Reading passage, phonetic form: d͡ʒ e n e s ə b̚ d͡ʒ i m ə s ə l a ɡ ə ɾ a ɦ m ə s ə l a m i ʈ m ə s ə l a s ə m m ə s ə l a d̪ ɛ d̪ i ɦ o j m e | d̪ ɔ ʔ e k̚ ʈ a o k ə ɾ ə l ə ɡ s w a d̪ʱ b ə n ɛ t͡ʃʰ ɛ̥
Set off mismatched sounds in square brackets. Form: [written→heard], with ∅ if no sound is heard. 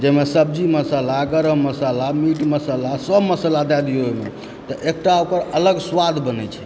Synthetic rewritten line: d͡ʒ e [n→m] e s ə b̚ d͡ʒ i m ə s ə l a ɡ ə ɾ [a→ə] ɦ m ə s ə l a m i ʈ m ə s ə l a s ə [m→b] m ə s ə l a d̪ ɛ d̪ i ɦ o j m e | [d̪→t̪] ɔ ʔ e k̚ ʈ a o k ə ɾ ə l ə ɡ s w a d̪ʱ b ə n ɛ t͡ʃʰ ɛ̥